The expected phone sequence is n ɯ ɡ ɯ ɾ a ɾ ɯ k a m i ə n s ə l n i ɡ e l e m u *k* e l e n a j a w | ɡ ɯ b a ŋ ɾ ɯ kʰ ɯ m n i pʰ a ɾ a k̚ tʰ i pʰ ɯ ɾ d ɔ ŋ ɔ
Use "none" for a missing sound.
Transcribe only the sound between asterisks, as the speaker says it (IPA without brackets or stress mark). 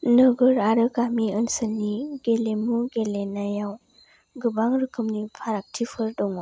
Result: ɡ